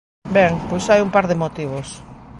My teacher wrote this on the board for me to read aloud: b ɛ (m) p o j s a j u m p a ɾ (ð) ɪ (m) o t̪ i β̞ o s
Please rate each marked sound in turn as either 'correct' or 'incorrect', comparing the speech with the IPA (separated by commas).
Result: incorrect, correct, correct